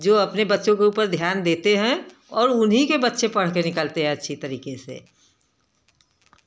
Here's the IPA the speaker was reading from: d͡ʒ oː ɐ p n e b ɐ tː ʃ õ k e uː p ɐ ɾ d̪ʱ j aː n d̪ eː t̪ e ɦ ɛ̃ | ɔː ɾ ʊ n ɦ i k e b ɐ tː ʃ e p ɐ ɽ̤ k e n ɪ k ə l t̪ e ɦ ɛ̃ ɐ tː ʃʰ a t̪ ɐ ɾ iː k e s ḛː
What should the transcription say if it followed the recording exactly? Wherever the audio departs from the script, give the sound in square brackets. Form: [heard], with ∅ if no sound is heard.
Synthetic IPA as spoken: d͡ʒ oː ɐ p n e b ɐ tː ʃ õ k e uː p [ə] ɾ d̪ʱ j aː n d̪ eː t̪ e ɦ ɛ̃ | ɔː ɾ ʊ n ɦ i k e b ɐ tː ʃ e p ɐ ɽ̤ k e n ɪ k ə l t̪ e ɦ ɛ̃ ɐ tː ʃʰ [i] t̪ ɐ ɾ iː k e s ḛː